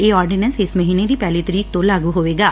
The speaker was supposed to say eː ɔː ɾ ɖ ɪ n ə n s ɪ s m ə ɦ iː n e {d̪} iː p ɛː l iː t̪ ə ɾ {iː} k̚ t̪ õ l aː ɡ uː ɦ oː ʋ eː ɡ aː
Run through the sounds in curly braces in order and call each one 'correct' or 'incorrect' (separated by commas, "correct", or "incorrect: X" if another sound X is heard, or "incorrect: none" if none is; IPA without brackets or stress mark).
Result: correct, correct